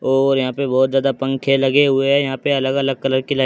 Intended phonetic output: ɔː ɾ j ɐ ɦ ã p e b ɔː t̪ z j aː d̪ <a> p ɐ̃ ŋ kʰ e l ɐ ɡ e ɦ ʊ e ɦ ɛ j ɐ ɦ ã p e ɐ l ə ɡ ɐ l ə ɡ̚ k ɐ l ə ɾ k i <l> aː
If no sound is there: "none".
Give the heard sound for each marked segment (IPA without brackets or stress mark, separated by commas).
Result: a, l